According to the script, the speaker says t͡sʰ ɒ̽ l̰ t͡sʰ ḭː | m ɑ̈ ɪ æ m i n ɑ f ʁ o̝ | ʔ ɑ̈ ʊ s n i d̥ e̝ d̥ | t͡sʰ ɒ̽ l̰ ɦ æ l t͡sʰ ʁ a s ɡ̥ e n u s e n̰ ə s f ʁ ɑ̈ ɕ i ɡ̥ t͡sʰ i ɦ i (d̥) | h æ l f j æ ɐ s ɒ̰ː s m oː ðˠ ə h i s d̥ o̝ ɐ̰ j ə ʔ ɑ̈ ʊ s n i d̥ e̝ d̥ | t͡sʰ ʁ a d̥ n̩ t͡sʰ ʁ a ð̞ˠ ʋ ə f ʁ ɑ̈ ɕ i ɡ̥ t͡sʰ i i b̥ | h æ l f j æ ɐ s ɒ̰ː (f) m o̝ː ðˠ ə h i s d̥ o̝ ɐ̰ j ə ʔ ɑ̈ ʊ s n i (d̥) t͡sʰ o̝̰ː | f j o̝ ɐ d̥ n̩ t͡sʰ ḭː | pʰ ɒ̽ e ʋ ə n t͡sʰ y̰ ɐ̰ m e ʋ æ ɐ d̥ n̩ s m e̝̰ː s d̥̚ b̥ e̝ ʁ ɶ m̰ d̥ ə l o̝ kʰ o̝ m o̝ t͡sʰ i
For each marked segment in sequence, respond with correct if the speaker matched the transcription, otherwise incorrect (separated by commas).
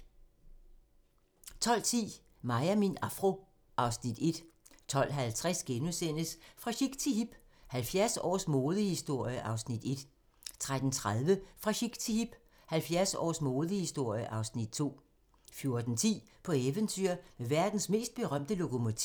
incorrect, incorrect, correct